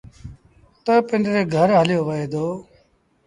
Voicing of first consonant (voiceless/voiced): voiceless